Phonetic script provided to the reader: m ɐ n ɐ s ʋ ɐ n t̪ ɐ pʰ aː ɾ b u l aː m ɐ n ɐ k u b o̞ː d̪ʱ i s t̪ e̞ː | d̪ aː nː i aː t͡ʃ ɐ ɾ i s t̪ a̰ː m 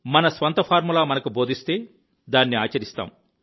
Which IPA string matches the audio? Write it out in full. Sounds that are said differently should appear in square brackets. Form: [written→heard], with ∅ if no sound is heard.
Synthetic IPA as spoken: m ɐ n ɐ s ʋ ɐ n t̪ ɐ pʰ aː ɾ [b→m] u l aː m ɐ n ɐ k u b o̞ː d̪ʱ i s t̪ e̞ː | d̪ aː nː i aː t͡ʃ ɐ ɾ i s t̪ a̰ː m